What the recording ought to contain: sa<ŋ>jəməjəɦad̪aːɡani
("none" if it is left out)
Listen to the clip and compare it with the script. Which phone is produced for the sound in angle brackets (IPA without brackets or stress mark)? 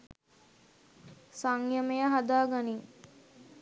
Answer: ŋ